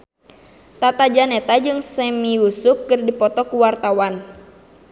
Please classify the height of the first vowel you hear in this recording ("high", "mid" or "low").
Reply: low